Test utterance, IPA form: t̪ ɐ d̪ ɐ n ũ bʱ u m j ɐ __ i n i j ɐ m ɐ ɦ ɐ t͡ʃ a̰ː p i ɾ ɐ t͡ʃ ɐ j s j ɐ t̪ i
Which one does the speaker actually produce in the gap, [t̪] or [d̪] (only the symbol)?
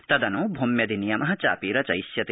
d̪